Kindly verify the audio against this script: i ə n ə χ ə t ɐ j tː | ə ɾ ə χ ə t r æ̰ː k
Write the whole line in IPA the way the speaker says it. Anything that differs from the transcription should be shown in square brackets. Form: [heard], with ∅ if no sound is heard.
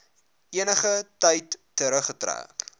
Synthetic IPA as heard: i ə n ə χ ə t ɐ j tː | ə ɾ ə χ ə t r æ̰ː k